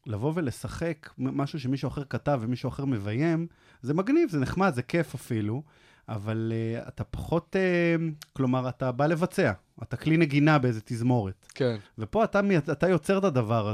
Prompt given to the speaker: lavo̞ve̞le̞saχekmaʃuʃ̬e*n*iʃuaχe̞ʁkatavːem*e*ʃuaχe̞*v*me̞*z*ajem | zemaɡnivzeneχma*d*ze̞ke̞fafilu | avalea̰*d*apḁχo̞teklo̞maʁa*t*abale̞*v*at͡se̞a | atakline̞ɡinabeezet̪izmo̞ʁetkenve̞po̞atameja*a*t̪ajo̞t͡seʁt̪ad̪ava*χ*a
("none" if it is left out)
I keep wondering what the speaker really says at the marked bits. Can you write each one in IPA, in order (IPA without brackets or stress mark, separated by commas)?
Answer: m, i, ʁ, v, d, t, t, v, a, ʁ